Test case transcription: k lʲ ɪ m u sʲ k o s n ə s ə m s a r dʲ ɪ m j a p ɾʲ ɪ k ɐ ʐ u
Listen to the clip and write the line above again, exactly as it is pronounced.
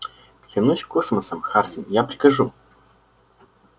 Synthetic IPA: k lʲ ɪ n u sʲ k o s m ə s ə m x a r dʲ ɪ n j a p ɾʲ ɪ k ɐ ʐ u